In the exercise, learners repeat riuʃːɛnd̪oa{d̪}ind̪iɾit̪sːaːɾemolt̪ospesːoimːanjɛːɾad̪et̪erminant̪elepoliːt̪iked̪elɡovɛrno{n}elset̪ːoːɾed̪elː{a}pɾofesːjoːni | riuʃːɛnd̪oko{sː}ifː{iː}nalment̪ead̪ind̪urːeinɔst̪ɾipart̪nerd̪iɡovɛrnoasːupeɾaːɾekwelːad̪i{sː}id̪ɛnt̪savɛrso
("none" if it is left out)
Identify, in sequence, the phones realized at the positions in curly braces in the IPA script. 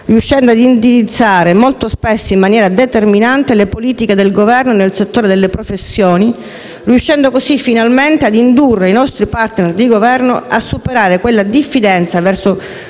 d̪, n, e, s, i, fː

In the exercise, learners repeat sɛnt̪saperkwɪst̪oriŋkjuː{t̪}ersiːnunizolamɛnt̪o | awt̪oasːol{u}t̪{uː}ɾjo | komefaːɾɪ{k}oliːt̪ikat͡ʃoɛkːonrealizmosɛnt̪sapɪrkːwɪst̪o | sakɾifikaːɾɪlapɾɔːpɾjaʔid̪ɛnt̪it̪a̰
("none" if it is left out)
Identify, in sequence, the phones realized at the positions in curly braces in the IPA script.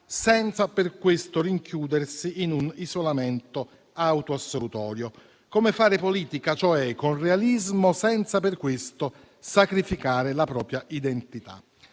d̪, u, ɔː, p

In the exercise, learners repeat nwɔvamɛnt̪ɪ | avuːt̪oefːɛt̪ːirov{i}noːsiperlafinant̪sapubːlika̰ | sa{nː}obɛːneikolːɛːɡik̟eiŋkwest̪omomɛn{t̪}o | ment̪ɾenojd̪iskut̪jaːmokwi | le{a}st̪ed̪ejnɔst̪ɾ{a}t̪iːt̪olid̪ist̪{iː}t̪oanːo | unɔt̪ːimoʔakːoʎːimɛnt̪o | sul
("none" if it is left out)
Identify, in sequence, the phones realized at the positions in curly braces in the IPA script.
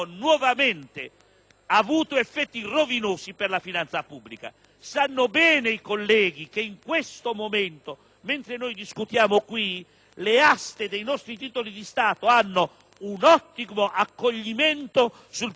i, nː, t̪, a, i, aː

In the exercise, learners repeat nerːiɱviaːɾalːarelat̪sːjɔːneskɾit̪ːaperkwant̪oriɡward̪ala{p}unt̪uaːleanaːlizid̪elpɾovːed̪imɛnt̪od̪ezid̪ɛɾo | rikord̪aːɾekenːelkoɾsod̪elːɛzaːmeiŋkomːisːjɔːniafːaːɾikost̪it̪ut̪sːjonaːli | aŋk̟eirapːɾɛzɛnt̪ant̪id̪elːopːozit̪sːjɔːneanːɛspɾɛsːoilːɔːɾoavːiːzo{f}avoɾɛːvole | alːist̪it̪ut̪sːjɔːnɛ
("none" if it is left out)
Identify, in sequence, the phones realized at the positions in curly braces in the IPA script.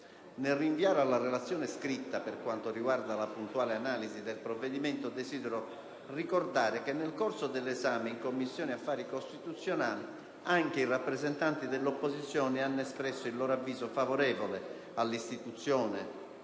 p, f

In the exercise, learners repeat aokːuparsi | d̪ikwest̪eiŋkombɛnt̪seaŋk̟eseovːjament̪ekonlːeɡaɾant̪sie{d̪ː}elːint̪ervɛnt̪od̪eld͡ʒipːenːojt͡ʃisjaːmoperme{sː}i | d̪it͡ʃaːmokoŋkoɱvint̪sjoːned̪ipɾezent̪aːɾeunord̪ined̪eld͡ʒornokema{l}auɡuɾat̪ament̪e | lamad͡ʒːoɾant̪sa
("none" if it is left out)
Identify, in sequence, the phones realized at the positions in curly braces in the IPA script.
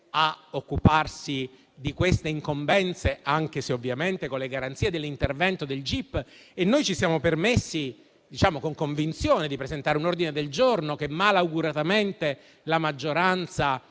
d̪, sː, l

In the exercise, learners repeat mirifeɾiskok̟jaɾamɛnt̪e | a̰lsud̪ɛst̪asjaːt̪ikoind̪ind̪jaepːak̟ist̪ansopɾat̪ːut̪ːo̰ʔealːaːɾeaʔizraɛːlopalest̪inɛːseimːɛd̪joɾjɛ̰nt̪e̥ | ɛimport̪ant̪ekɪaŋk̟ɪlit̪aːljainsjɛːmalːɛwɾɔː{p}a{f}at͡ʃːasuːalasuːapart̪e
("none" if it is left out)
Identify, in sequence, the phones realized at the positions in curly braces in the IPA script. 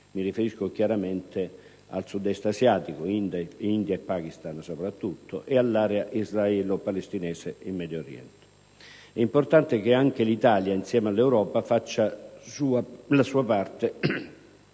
p, f

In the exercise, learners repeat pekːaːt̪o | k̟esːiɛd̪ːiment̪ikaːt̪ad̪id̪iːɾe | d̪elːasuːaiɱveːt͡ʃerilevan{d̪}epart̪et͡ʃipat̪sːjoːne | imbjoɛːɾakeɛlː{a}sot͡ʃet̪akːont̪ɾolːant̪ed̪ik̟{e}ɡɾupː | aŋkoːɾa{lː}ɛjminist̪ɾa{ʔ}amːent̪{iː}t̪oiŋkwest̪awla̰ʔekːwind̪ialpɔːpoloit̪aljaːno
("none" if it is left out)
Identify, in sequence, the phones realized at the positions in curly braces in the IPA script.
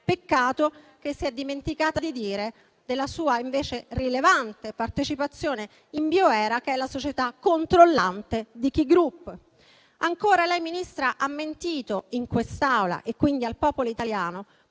t̪, a, i, l, ʔ, iː

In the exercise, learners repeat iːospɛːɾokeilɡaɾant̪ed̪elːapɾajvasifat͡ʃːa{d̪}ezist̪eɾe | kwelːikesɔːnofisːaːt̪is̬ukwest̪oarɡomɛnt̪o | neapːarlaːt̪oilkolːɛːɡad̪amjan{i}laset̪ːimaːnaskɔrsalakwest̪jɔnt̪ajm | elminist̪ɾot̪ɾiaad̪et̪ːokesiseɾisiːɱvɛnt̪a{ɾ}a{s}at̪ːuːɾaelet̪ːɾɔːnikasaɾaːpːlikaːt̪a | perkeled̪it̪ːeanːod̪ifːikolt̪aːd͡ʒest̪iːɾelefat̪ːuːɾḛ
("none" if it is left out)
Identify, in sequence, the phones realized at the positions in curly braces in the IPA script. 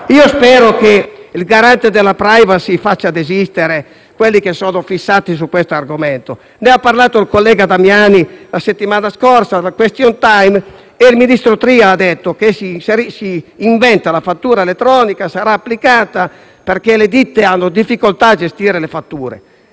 d̪, i, l, f

